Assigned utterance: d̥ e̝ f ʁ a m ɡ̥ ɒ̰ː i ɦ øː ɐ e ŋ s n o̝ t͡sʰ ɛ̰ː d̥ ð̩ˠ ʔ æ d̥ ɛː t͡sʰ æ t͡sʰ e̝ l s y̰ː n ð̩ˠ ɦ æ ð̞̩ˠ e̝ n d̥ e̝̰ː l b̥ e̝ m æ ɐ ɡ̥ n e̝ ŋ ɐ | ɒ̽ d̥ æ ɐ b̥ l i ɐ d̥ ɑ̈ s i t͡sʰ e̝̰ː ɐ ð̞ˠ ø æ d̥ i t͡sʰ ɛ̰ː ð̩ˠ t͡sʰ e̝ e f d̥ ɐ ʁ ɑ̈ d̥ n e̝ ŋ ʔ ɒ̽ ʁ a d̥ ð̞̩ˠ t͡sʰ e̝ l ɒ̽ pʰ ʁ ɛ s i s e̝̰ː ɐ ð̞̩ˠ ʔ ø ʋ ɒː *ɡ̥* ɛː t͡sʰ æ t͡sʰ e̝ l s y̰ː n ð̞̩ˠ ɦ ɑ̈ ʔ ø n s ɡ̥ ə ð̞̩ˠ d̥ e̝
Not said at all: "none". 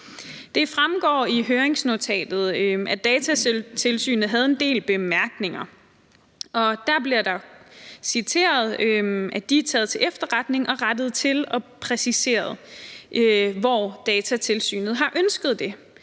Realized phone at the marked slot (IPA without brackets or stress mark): d̥